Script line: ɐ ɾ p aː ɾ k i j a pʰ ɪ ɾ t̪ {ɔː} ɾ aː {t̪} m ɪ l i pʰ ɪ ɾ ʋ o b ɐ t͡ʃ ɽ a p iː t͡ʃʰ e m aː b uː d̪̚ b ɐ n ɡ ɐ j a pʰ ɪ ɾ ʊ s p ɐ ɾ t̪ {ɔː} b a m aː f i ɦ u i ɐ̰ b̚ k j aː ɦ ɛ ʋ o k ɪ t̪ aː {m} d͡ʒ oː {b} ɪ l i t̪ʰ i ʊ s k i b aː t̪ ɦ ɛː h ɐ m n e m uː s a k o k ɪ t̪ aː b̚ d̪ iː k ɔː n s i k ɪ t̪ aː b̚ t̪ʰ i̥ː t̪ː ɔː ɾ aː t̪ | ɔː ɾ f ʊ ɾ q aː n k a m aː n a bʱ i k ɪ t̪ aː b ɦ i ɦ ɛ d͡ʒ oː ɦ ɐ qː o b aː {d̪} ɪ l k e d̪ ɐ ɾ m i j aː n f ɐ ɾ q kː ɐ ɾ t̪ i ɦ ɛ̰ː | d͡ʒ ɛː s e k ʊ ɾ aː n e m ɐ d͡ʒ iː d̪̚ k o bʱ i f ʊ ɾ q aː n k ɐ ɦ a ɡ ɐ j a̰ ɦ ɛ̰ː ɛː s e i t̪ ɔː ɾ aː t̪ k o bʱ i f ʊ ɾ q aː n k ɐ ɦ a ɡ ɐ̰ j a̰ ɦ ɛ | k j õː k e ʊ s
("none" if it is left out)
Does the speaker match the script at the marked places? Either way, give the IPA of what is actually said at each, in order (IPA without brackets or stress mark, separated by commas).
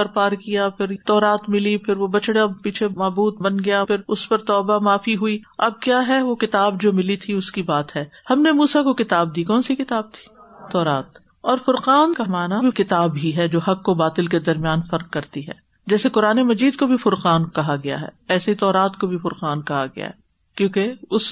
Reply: ɔː, t̪, ɔː, b, m, t̪